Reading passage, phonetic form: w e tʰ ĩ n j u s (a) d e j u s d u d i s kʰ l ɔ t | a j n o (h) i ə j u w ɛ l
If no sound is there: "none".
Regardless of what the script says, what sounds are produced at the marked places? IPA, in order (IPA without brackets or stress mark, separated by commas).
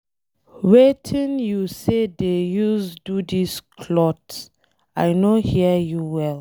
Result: e, h